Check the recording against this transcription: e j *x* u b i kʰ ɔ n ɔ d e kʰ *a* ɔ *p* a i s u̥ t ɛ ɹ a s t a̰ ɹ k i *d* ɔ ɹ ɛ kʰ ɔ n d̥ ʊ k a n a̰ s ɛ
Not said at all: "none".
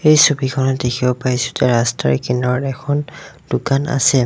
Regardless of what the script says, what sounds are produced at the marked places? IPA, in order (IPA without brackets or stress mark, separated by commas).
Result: s, i, p, n